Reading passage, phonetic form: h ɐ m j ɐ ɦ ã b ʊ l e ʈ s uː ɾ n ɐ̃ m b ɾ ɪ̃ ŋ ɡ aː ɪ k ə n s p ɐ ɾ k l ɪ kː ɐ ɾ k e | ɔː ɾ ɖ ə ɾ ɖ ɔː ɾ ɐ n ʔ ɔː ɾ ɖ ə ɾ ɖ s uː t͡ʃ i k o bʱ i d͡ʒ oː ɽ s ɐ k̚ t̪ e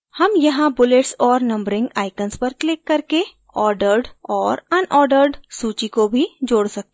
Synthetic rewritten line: h ɐ m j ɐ ɦ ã b ʊ l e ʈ s ɔː ɾ n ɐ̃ m b ɾ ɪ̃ ŋ ɡ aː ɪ k ə n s p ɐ ɾ k l ɪ kː ɐ ɾ k e | ɔː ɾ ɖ ə ɾ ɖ ɔː ɾ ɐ n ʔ ɔː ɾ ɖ ə ɾ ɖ s uː t͡ʃ i k o bʱ i d͡ʒ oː ɽ s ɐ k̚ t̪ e